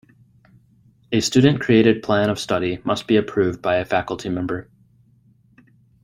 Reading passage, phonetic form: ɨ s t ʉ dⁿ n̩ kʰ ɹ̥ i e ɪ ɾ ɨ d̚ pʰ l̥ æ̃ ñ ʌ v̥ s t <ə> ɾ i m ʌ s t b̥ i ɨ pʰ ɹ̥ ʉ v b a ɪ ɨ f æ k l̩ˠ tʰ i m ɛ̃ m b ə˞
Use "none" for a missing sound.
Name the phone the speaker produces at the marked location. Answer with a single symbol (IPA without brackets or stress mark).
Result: ʌ